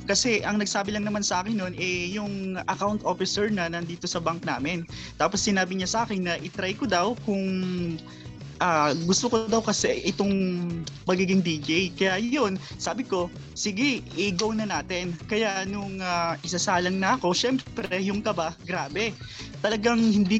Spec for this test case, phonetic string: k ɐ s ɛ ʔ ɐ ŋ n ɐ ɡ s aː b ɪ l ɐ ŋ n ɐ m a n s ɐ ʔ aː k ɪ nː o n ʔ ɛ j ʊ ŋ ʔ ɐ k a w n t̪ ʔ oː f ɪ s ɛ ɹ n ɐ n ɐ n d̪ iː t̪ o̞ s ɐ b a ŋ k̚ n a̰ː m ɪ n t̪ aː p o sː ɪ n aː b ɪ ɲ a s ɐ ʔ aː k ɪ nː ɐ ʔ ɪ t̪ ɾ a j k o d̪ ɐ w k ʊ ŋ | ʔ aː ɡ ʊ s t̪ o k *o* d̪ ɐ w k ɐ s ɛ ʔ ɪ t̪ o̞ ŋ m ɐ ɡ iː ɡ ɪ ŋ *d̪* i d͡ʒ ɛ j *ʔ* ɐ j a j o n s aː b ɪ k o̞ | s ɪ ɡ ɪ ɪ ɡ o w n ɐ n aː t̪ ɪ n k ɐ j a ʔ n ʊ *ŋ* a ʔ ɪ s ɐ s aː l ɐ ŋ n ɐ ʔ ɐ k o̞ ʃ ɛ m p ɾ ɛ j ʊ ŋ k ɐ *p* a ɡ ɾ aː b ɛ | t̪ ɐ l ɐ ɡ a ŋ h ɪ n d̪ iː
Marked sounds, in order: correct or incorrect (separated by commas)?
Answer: correct, correct, incorrect, correct, incorrect